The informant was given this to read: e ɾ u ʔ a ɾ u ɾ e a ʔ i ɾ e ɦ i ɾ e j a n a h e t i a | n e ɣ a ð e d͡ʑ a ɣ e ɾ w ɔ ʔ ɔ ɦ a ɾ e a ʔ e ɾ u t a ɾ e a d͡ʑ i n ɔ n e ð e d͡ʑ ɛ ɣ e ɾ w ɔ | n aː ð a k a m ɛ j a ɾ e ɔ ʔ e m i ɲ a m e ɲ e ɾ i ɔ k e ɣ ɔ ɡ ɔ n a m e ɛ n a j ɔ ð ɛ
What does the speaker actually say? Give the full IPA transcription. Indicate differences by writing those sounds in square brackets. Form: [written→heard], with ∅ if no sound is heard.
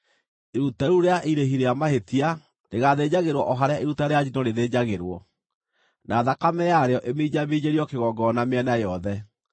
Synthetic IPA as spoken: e ɾ u [ʔ→t] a ɾ u ɾ e a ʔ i ɾ e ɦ i ɾ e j a [n→m] a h e t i a | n e ɣ a ð e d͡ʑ a ɣ e ɾ w ɔ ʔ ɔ ɦ a ɾ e a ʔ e ɾ u t a ɾ e a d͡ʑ i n ɔ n e ð e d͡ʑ [ɛ→a] ɣ e ɾ w ɔ | n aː ð a k a m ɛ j a ɾ e ɔ ʔ e m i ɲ a m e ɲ e ɾ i ɔ k e ɣ ɔ ɡ ɔ n a m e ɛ n a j ɔ ð ɛ